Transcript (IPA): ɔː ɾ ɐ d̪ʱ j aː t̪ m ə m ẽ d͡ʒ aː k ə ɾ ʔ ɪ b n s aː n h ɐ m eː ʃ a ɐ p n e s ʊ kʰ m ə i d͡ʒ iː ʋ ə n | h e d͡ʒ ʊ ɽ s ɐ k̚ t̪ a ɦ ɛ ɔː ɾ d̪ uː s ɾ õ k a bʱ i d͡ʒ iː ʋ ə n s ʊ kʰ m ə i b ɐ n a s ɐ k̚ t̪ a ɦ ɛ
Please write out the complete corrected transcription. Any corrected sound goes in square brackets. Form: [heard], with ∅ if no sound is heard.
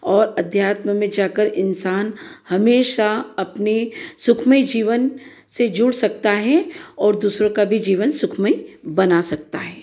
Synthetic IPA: ɔː ɾ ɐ d̪ʱ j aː t̪ m ə m ẽ d͡ʒ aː k ə ɾ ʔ ɪ [∅] n s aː n h ɐ m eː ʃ a ɐ p n e s ʊ kʰ m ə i d͡ʒ iː ʋ ə n | [s] e d͡ʒ ʊ ɽ s ɐ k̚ t̪ a ɦ ɛ ɔː ɾ d̪ uː s ɾ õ k a bʱ i d͡ʒ iː ʋ ə n s ʊ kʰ m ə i b ɐ n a s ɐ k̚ t̪ a ɦ [ɛː]